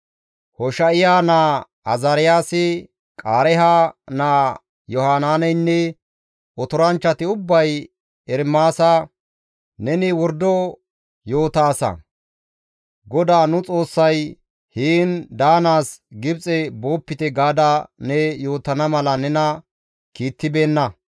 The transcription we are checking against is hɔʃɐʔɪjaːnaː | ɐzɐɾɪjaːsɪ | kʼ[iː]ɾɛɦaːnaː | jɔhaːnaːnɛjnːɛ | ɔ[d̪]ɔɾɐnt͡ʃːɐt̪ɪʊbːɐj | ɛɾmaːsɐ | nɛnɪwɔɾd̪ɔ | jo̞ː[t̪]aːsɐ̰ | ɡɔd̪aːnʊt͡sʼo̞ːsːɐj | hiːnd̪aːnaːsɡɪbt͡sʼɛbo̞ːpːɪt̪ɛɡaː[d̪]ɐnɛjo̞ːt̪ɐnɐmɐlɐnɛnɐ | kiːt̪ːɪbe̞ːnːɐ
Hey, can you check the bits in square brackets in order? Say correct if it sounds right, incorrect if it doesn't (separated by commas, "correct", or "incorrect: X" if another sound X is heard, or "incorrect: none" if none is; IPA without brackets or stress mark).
incorrect: aː, incorrect: t̪, correct, correct